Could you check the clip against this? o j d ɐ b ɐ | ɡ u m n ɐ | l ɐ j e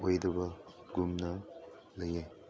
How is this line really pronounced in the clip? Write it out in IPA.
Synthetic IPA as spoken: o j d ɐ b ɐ | ɡ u m n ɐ | l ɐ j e

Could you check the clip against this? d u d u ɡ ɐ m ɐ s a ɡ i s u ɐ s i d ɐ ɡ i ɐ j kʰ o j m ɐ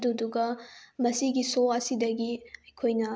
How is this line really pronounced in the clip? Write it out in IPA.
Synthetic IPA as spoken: d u d u ɡ ɐ m ɐ s i ɡ i s o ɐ s i d ɐ ɡ i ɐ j kʰ o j n ɐ

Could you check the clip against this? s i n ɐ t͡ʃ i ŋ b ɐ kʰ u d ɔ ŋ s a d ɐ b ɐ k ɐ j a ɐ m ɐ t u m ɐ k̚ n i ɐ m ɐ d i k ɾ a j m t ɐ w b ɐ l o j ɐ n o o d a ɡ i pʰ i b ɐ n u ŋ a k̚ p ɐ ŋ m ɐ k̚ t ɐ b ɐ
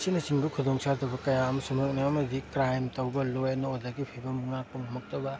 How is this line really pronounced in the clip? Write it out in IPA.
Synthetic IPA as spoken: s i n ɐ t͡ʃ i ŋ b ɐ kʰ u d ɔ ŋ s a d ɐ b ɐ k ɐ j a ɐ m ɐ s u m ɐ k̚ n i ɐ m ɐ d i k ɾ a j m t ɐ w b ɐ l o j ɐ n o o d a ɡ i pʰ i b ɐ m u ŋ a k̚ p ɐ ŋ m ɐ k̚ t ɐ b ɐ

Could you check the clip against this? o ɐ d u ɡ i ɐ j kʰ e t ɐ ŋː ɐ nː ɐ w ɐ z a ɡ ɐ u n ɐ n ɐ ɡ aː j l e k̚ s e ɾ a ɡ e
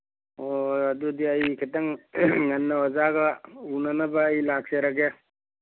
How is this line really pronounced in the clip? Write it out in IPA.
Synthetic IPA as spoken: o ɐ d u d i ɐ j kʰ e t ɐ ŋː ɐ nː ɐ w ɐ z a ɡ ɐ u n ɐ n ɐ b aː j l a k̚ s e ɾ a ɡ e

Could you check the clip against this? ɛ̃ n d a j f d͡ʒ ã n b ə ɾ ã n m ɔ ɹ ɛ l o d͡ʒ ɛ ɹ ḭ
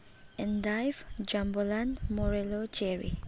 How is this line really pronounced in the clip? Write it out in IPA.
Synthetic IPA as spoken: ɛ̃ n d a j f d͡ʒ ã m b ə l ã n m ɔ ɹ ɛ l o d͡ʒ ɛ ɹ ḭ

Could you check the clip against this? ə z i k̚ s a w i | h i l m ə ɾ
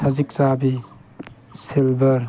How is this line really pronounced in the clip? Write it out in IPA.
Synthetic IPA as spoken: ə z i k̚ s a b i | s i l b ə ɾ

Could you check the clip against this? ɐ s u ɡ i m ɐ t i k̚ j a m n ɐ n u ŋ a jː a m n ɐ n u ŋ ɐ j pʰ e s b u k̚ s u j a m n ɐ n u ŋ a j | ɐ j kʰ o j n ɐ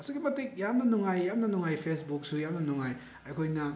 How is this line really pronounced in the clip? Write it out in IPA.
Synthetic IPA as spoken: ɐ s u ɡ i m ɐ t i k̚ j a m n ɐ n u ŋ a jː a m n ɐ n u ŋ a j pʰ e s b u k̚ s u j a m n ɐ n u ŋ a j | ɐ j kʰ o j n ɐ

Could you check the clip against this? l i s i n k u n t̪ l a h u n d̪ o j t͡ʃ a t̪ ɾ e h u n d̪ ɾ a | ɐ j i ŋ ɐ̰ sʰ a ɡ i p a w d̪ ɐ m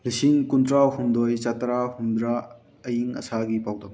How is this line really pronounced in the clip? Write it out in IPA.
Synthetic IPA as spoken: l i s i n k u n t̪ ɾ a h u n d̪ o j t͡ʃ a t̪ ɾ a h u n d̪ ɾ a | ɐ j i ŋ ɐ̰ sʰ a ɡ i p a w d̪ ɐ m

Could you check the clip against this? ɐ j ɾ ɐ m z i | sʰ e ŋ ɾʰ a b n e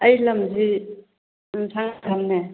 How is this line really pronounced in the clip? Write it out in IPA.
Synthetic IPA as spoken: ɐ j l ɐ m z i | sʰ a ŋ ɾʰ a m n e

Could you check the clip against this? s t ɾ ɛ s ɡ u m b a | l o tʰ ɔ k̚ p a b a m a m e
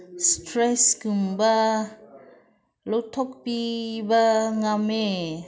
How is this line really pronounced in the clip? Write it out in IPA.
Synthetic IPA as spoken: s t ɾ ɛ s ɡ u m b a | l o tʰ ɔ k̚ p i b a ŋ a m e

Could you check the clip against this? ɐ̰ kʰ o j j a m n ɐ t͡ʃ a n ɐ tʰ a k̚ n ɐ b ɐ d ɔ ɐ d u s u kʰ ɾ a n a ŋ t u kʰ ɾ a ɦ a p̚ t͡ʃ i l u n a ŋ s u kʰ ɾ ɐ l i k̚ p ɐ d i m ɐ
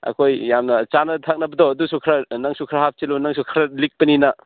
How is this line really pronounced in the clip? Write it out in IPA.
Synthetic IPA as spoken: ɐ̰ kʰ o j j a m n ɐ t͡ʃ a n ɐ tʰ a k̚ n ɐ b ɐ d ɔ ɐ d u s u kʰ ɾ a n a ŋ s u kʰ ɾ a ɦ a p̚ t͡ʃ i l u n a ŋ s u kʰ ɾ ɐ l i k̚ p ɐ n i n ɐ

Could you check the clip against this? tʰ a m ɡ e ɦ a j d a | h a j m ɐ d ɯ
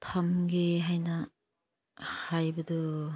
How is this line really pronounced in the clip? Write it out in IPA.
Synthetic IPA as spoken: tʰ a m ɡ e ɦ a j n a | h a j b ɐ d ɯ

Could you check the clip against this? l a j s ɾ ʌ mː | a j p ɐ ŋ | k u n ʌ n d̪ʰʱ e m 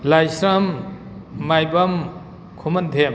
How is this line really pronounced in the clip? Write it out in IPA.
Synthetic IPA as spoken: l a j s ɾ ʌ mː | a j b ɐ m | kʰ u m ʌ n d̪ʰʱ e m

